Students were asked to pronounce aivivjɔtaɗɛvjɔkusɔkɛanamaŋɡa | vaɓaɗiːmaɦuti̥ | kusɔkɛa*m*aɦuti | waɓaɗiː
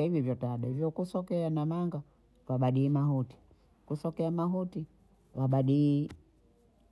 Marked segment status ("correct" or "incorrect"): correct